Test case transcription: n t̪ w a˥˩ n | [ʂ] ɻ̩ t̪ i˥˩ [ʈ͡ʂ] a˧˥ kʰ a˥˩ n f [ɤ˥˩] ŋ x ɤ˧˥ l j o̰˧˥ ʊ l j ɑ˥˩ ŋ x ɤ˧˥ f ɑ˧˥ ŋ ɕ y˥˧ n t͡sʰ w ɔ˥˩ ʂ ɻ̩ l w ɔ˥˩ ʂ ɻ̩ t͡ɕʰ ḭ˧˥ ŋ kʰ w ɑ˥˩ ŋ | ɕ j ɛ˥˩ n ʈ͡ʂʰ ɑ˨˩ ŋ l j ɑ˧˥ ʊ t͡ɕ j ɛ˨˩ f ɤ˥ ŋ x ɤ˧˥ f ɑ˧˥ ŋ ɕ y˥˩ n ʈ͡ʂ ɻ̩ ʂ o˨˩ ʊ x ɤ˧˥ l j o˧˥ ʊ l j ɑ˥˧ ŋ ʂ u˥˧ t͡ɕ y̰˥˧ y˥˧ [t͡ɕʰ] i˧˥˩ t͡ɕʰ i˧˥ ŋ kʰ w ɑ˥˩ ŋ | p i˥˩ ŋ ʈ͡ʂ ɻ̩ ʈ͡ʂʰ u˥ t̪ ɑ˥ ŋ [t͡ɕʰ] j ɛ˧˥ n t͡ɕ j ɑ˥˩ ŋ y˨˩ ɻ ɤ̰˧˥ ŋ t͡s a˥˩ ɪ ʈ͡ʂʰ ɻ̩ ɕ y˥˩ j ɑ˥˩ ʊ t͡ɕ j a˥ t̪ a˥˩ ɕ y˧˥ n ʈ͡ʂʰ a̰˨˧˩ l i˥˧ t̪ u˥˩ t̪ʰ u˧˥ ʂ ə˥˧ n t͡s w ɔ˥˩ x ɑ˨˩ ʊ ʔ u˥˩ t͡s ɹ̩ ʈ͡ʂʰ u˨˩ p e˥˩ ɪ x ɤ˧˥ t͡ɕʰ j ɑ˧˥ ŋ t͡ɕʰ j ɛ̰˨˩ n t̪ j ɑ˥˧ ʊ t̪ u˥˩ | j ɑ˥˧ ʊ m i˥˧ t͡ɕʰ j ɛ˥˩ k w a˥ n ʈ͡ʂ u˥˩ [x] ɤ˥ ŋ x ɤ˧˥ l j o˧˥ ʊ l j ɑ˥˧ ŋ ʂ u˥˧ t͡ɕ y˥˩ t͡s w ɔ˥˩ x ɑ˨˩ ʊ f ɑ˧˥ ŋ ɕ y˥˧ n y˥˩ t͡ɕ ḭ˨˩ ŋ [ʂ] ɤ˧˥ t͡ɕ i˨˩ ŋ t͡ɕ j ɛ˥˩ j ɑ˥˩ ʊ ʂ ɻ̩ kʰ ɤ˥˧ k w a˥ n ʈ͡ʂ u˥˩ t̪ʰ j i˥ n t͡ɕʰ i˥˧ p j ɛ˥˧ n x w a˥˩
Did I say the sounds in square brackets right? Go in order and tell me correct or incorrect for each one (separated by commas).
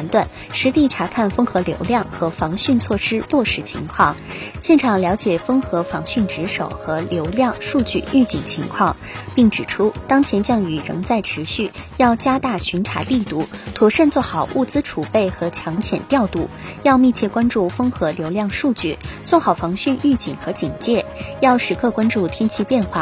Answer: correct, incorrect, incorrect, incorrect, correct, incorrect, incorrect